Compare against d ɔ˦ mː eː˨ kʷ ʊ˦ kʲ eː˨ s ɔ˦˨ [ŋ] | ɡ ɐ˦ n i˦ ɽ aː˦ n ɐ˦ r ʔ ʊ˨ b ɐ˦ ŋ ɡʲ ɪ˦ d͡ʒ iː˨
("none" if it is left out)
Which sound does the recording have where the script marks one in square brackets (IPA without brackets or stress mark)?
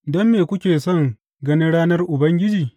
ŋ